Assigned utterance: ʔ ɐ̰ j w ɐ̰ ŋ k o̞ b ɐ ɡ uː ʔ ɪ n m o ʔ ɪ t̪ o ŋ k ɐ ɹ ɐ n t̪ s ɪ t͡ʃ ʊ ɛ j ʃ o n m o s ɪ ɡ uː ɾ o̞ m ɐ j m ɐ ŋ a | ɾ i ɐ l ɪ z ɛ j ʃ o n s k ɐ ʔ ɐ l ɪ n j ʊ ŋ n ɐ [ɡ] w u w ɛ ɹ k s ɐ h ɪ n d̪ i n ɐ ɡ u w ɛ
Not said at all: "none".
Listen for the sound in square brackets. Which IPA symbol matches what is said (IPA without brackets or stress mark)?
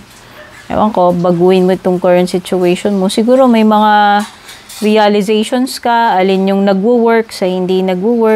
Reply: ɡ